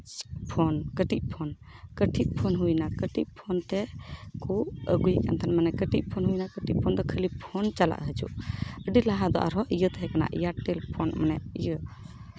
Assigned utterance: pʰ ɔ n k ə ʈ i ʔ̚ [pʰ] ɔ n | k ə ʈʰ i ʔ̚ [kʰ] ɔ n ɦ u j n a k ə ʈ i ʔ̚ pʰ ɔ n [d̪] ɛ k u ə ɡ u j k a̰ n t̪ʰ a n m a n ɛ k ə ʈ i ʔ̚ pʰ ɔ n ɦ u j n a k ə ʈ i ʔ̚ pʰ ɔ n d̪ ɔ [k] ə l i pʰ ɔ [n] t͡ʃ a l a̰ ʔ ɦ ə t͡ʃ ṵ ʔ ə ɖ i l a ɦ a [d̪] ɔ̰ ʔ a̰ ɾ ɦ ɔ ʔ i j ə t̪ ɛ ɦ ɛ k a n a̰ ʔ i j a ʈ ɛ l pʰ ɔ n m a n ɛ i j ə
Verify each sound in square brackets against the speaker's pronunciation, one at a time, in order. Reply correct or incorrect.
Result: correct, incorrect, incorrect, incorrect, correct, correct

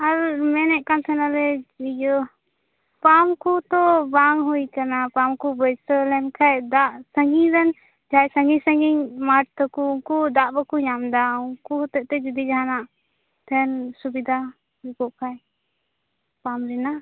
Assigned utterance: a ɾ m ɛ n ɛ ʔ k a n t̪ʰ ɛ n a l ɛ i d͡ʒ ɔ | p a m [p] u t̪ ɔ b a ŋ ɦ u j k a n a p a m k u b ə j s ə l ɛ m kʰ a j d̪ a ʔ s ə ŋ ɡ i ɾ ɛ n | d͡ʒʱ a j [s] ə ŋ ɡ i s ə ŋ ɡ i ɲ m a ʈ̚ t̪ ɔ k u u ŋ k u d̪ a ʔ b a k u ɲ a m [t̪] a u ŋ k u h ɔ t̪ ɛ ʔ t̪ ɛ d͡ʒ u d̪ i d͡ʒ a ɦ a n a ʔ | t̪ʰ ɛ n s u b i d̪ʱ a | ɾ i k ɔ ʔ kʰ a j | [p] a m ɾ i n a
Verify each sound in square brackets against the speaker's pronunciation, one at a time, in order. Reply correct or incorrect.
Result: incorrect, correct, incorrect, correct

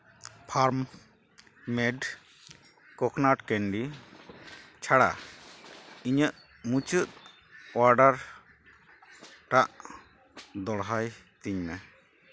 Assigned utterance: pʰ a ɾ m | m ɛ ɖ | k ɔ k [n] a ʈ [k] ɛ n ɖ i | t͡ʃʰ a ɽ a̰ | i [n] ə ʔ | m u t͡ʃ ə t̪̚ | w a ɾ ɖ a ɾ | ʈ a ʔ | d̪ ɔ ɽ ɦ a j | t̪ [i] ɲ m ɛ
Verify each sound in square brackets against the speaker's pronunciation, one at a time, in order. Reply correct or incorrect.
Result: correct, correct, incorrect, correct

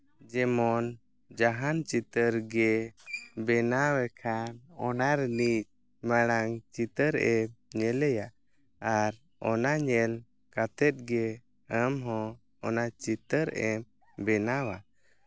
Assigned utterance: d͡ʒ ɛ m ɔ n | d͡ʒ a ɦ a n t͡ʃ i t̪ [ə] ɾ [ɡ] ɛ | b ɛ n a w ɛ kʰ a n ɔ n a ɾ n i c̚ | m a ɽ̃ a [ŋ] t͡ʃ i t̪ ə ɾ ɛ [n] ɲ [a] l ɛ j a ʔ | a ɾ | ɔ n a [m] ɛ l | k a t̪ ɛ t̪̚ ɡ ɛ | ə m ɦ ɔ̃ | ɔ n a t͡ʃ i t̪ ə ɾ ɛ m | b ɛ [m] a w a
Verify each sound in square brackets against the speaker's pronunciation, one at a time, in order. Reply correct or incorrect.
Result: correct, correct, correct, incorrect, incorrect, incorrect, incorrect

